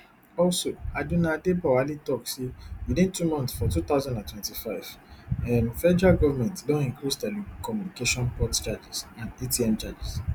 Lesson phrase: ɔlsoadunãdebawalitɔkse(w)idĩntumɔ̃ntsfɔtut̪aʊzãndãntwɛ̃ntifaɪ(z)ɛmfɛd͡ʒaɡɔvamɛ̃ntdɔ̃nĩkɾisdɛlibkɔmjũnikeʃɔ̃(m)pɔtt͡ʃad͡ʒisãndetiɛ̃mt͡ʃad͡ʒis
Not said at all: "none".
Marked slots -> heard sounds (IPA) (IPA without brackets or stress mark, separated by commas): w, v, n